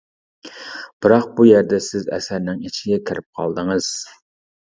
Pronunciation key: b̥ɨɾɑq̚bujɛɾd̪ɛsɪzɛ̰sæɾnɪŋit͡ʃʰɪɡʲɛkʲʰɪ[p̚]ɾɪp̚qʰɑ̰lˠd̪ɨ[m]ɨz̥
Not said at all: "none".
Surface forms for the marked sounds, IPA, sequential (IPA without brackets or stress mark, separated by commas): none, ŋ